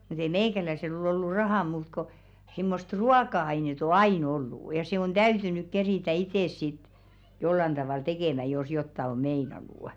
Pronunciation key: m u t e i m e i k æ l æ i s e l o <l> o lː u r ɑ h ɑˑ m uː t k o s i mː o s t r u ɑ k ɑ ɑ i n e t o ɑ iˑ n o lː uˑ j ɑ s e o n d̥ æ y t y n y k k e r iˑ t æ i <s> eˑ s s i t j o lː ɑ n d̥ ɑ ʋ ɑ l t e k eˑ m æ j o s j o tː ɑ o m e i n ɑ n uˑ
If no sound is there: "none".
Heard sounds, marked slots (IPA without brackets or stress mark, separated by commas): l, t